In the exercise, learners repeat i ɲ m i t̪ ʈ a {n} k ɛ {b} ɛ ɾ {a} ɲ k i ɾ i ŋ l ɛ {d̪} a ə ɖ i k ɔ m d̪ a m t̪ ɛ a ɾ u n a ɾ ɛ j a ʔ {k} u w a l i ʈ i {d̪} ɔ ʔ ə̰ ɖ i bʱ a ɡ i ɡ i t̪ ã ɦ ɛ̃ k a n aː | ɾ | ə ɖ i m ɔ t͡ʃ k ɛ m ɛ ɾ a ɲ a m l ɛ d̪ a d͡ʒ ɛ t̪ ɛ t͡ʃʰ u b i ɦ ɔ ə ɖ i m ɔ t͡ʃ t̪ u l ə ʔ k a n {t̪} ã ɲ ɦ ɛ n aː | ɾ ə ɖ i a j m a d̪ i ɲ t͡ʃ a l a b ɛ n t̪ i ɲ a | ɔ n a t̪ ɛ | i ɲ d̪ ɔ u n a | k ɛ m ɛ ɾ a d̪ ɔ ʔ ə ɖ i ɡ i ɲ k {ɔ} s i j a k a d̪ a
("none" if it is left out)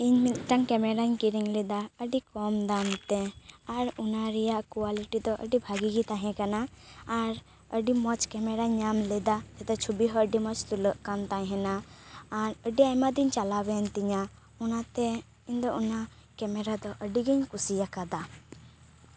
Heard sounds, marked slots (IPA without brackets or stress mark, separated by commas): ŋ, m, a, d̪, k, d̪, t̪, u